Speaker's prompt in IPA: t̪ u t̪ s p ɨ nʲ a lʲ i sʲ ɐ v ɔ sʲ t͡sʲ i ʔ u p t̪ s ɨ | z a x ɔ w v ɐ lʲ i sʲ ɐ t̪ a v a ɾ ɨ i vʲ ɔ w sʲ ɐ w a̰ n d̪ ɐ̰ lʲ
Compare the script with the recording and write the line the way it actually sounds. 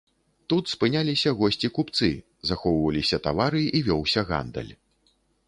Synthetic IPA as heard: t̪ u t̪ s p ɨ nʲ a lʲ i sʲ ɐ ɣ ɔ sʲ t͡sʲ i k u p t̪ s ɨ | z a x ɔ w v ɐ lʲ i sʲ ɐ t̪ a v a ɾ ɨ i vʲ ɔ w sʲ ɐ ɣ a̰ n d̪ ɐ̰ lʲ